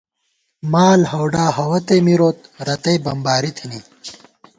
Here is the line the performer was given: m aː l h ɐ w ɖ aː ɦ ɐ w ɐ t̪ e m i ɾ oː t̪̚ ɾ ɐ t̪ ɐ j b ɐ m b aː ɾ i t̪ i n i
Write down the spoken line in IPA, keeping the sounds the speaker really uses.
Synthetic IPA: m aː l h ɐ w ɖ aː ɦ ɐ w ɐ t̪ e m i ɾ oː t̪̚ ɾ ɐ t̪ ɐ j b ɐ m b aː ɾ i t̪ʰ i n i